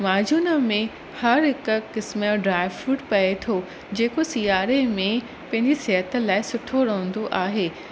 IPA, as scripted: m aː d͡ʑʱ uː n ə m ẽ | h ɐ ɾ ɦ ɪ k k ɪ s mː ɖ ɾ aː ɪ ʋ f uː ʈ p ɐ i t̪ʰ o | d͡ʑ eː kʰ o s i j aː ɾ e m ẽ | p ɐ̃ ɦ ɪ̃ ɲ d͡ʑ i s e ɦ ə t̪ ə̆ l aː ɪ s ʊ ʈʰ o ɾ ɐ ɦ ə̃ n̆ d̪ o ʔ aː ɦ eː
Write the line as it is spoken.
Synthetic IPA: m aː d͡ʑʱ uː n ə m ẽ | h ɐ ɾ ɦ ɪ k k ɪ s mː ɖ ɾ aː ɪ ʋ f uː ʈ p ɐ e t̪ʰ o | d͡ʑ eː k o s i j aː ɾ e m ẽ | p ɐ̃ ɦ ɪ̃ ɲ d͡ʑ i s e ɦ ə t̪ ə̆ l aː ɪ s ʊ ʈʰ o ɾ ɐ ɦ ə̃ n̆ d̪ o ʔ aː ɦ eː